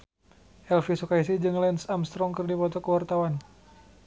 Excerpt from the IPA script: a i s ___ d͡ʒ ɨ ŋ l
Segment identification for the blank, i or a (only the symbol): i